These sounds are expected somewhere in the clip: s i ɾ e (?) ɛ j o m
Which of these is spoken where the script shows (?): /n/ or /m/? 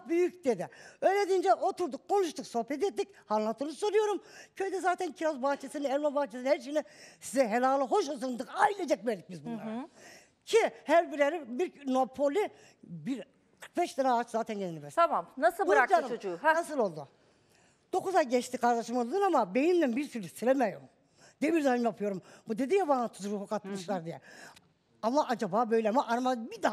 m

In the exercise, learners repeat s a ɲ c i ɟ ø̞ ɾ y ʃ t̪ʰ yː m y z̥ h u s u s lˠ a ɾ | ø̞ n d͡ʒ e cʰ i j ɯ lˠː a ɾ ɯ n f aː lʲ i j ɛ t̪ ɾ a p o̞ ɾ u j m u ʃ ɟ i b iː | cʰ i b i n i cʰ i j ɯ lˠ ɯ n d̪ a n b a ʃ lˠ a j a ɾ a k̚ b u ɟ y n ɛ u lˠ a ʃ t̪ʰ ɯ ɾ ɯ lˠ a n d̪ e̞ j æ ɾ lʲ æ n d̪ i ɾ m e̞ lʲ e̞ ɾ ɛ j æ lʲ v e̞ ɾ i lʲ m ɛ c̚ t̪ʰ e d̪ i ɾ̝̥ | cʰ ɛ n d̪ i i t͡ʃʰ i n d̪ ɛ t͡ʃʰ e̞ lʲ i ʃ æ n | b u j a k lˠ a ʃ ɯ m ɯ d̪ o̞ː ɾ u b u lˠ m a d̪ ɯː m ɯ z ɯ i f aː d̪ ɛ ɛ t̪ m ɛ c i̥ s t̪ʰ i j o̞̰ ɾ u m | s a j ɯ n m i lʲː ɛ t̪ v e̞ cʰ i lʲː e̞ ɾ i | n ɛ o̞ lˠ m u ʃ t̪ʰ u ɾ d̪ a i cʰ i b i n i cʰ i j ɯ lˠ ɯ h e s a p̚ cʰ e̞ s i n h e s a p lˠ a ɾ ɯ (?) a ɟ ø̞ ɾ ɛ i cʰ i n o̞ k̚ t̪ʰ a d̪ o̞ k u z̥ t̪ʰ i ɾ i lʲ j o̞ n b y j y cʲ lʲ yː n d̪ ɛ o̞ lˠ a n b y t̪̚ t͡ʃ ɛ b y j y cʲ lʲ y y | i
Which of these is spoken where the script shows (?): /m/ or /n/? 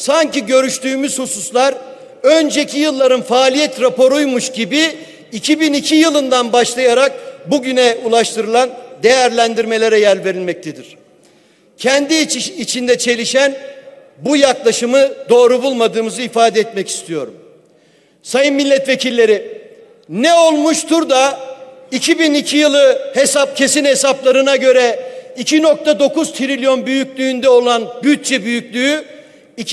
n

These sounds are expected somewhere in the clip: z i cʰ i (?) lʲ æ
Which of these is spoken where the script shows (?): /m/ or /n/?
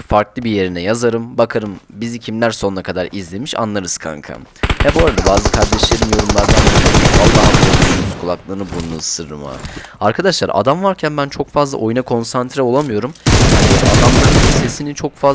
m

